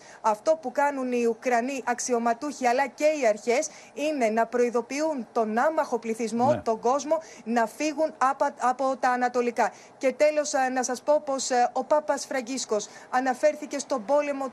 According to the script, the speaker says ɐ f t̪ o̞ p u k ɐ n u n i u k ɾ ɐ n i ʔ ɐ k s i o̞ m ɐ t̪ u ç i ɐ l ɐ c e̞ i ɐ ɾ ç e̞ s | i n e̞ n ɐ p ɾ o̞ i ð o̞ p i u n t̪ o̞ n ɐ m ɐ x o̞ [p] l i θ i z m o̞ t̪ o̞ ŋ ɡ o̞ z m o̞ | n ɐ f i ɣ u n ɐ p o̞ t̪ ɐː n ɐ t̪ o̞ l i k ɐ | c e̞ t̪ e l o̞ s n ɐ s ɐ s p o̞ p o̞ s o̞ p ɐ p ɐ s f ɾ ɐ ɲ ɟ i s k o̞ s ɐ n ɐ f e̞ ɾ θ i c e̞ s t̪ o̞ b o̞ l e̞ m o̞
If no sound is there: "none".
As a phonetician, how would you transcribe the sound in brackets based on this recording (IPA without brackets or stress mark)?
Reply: p